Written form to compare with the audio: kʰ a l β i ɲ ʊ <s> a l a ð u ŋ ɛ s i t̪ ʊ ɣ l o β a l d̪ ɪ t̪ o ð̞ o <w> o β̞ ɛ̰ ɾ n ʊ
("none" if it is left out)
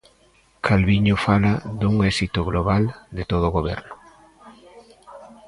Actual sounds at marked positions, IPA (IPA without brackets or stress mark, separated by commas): f, ɣ